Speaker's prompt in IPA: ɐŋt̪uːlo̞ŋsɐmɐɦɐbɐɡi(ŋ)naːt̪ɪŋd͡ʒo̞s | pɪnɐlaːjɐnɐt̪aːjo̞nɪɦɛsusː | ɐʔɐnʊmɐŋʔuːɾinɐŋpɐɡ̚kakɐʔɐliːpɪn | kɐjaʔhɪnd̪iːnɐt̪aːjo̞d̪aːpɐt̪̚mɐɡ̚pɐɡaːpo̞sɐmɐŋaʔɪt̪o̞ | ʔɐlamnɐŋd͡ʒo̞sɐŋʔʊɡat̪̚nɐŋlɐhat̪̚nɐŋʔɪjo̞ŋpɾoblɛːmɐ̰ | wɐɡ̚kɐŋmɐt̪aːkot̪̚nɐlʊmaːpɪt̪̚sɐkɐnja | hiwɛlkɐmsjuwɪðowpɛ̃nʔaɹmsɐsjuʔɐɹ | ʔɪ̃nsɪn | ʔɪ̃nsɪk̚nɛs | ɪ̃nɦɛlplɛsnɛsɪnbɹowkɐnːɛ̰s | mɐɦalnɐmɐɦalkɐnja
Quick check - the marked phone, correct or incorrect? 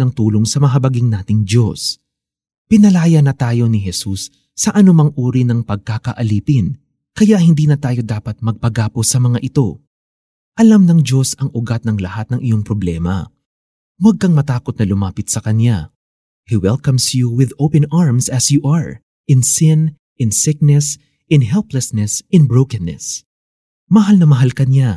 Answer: correct